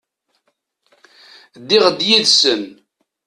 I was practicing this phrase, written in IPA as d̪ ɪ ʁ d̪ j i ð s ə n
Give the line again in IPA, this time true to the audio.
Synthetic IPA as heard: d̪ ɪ ʁ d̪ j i ð s ə n